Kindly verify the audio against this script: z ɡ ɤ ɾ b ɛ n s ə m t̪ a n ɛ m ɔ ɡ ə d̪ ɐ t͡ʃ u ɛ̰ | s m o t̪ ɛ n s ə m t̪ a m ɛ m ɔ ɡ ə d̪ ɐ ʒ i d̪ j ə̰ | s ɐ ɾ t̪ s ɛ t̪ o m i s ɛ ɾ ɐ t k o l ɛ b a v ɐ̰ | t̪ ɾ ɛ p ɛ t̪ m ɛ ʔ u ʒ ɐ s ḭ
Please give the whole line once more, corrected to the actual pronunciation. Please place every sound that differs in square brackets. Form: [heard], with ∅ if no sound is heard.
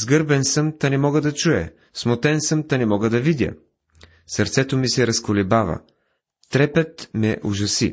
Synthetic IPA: z ɡ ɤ ɾ b ɛ n s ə m t̪ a n ɛ m ɔ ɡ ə d̪ ɐ t͡ʃ u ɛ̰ | s m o t̪ ɛ n s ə m t̪ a [n] ɛ m ɔ ɡ ə d̪ ɐ [v] i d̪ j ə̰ | s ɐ ɾ t̪ s ɛ t̪ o m i s ɛ ɾ ɐ [s] k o l ɛ b a v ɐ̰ | t̪ ɾ ɛ p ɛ t̪ m ɛ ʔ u ʒ ɐ s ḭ